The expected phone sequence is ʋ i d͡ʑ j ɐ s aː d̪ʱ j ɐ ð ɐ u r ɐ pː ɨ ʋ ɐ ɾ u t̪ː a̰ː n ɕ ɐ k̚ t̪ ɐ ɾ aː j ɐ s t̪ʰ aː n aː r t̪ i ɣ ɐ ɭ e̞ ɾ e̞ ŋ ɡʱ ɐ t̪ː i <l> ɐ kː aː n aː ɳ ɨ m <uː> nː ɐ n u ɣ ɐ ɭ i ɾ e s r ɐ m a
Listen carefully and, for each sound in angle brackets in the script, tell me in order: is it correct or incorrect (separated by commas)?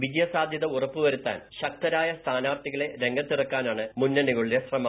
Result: incorrect, incorrect